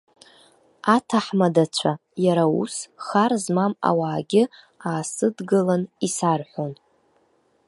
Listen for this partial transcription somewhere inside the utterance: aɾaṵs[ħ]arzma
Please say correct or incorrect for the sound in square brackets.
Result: incorrect